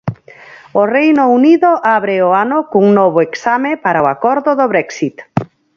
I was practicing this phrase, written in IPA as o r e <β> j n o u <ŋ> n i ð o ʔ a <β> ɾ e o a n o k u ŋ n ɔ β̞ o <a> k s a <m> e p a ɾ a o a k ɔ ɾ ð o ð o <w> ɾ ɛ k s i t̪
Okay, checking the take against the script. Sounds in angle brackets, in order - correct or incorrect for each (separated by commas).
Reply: incorrect, incorrect, correct, incorrect, correct, incorrect